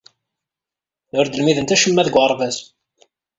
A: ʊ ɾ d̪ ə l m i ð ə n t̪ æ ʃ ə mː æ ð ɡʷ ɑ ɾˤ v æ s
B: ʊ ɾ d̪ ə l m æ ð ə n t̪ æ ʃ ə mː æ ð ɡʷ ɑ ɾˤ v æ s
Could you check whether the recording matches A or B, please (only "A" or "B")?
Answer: A